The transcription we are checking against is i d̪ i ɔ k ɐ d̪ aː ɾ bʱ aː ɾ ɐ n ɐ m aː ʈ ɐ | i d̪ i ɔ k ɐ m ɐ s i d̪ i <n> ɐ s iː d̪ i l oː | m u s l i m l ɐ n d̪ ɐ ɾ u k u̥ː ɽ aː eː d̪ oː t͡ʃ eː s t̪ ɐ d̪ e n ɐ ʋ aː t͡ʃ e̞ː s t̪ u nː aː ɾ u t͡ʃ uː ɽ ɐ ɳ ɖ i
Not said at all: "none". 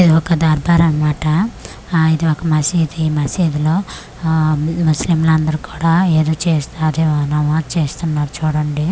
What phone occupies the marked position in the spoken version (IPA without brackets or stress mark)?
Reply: m